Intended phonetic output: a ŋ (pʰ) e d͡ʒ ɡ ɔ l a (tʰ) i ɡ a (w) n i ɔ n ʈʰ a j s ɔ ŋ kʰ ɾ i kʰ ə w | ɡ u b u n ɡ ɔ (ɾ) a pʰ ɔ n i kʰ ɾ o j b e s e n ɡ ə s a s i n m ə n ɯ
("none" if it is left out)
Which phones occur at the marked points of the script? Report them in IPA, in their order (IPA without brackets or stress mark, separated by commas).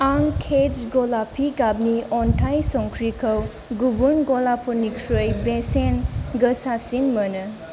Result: kʰ, pʰ, b, l